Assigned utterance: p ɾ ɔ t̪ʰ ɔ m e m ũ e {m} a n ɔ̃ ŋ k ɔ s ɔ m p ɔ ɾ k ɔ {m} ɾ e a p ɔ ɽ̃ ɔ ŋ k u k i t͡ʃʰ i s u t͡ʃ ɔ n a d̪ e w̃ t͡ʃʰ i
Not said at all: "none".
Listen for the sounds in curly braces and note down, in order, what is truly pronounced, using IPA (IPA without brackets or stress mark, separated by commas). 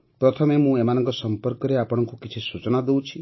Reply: m, none